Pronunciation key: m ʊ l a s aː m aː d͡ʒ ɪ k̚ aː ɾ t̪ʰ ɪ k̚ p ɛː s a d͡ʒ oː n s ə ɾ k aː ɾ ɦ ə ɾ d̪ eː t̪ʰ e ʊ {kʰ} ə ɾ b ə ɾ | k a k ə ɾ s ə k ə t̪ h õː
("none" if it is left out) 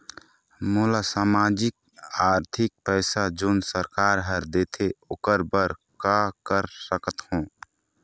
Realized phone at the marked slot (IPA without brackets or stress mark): k